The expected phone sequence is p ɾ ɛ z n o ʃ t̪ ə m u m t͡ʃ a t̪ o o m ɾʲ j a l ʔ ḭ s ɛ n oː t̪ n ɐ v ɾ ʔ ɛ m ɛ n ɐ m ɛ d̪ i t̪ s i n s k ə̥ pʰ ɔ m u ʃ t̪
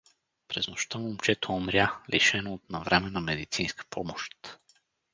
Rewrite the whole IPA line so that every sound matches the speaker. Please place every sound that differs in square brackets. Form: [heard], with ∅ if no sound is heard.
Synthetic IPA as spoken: p ɾ ɛ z n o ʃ t̪ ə m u m t͡ʃ [ɛ] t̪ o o m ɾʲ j a l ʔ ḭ [ʃ] ɛ n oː t̪ n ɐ v ɾ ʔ ɛ m ɛ n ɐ m ɛ d̪ i t̪ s i n s k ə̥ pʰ ɔ m [o] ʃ t̪